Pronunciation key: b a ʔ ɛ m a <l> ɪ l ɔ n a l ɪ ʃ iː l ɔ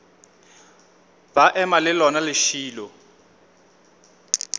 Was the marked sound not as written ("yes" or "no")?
no